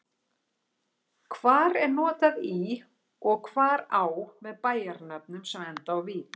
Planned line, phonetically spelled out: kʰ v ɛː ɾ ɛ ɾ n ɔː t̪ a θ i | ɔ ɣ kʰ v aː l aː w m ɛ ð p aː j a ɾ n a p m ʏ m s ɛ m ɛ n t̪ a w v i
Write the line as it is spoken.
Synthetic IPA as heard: kʰ v aː ɾ ɛ ɾ n ɔː t̪ a ð i | ɔ ɣ kʰ v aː ɾ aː w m ɛ ð p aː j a ɾ n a p n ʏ m s ɛ m ɛ n t̪ a w v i